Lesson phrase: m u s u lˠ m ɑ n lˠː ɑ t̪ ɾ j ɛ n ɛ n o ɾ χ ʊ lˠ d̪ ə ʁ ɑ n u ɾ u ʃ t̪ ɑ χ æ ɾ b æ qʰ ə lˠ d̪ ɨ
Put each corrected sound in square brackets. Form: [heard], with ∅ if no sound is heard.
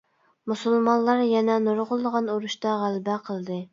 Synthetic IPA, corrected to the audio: m u s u lˠ m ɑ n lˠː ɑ [∅] ɾ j ɛ n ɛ n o ɾ [ʁ] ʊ lˠ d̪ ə ʁ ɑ n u ɾ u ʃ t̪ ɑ [ʁ] æ [l] b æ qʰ ə lˠ d̪ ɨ